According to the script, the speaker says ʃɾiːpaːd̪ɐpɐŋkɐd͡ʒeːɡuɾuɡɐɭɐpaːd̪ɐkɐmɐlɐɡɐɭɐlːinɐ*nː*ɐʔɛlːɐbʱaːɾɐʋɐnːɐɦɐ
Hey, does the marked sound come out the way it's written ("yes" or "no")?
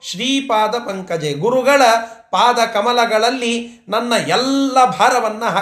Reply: yes